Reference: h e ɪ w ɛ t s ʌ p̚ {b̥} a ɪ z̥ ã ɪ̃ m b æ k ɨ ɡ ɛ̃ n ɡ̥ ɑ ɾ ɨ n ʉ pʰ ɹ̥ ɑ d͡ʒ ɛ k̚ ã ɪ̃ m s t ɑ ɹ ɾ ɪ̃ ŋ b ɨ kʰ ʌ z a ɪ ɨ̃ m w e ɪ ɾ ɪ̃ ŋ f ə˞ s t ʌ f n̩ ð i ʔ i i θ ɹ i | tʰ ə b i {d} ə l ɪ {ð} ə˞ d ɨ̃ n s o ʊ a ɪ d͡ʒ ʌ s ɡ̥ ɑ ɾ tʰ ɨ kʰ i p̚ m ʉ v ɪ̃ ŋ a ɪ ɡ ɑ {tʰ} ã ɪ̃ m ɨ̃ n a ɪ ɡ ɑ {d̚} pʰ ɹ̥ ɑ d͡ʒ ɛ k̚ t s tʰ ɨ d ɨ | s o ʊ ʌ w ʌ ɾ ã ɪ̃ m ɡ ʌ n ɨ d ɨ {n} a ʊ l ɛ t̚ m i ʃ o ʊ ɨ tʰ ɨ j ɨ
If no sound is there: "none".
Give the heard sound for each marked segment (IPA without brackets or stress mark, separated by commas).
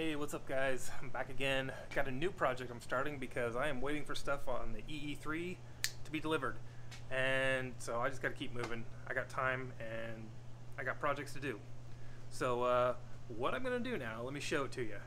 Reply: ɡ̥, d, v, tʰ, t̚, n